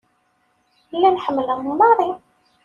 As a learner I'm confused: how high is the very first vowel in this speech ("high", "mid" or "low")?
low